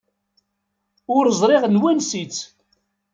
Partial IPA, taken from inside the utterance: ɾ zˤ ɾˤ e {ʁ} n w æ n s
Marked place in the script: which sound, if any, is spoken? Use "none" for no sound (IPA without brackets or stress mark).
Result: ʁ